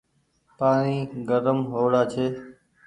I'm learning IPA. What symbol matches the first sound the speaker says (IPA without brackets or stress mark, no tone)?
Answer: p